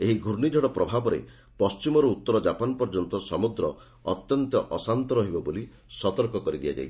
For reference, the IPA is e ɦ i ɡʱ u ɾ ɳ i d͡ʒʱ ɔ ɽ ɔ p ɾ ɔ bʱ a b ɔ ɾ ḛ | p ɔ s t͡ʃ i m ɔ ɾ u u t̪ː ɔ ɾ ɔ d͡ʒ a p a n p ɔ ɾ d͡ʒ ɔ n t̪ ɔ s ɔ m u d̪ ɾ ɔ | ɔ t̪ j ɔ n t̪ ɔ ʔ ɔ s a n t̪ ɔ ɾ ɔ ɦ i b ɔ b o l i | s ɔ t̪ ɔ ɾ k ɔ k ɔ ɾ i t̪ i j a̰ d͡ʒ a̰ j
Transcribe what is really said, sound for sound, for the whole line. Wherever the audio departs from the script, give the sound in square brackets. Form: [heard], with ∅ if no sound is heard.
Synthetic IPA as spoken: e ɦ i ɡʱ u ɾ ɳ i d͡ʒʱ ɔ ɽ ɔ p ɾ ɔ bʱ a b ɔ ɾ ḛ | p ɔ s t͡ʃ i m ɔ ɾ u u t̪ː ɔ ɾ ɔ d͡ʒ a p a n p ɔ ɾ d͡ʒ ɔ n t̪ ɔ s ɔ m u d̪ ɾ ɔ | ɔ t̪ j ɔ n t̪ ɔ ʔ ɔ s a n t̪ ɔ ɾ ɔ ɦ i b ɔ b o l i | s ɔ t̪ ɔ ɾ k ɔ k ɔ ɾ i [d̪] i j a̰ d͡ʒ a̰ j